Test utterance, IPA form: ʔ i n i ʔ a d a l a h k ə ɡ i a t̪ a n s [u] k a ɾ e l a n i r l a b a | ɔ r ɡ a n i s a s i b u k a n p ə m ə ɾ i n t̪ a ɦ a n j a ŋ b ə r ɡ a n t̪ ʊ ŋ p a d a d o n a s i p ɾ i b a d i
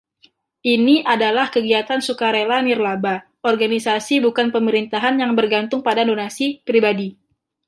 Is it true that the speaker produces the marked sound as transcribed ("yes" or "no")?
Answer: yes